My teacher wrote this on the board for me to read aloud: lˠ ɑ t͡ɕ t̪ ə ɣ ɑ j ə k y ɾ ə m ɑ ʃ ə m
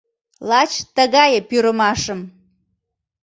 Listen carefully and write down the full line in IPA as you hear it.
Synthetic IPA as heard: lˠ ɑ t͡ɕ t̪ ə ɣ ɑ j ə p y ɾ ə m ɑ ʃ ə m